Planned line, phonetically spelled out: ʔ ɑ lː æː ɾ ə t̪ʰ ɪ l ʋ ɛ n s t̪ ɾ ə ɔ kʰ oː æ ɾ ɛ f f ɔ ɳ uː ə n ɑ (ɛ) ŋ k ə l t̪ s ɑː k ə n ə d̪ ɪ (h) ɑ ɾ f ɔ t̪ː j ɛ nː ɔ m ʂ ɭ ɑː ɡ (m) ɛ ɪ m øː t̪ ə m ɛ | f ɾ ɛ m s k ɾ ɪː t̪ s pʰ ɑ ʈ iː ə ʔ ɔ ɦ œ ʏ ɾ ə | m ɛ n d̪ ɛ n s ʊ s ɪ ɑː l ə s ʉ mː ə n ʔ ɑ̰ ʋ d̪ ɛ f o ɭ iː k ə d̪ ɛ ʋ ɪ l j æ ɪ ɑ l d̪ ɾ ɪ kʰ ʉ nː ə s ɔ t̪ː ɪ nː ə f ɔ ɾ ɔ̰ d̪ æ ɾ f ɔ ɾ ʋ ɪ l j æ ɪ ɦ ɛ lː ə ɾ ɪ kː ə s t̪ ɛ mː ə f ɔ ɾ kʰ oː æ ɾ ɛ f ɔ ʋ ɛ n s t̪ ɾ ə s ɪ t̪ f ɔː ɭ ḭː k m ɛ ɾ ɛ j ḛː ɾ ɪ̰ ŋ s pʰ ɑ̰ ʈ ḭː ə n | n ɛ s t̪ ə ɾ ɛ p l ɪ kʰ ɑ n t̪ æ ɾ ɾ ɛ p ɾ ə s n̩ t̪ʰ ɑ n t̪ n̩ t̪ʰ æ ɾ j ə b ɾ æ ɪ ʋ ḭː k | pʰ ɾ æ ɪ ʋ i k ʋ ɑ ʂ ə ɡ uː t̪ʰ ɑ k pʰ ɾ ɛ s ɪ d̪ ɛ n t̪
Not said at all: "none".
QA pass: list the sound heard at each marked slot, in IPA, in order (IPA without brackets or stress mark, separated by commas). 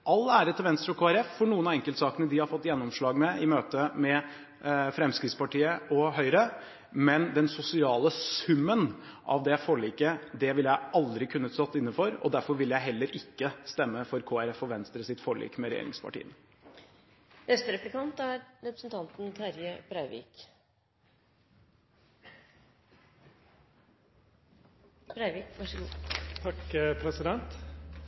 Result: ɛ, h, m